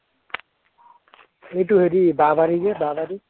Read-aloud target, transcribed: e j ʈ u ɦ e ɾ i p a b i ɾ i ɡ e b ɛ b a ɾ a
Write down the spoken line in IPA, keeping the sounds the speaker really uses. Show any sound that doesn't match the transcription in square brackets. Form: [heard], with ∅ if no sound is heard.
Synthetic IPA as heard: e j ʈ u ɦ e ɾ i [b] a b [a] ɾ i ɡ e b [a] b a ɾ [i]